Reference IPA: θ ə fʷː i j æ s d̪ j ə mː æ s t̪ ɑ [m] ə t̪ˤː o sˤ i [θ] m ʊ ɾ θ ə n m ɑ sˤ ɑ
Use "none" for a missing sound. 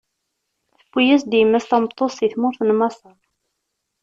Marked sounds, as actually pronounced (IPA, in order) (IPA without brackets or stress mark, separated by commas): m, θ